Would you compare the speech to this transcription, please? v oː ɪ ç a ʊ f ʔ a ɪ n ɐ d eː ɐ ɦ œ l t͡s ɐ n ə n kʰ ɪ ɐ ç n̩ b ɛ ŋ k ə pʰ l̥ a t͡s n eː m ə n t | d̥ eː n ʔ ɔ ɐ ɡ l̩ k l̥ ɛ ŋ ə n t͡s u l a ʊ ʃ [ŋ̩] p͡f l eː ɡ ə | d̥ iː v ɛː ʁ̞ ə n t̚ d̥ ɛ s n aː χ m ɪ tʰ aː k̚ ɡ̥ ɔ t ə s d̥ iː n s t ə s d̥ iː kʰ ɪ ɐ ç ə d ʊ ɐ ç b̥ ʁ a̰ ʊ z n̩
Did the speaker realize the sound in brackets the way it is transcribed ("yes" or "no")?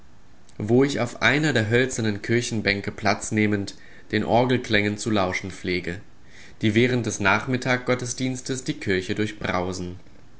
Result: no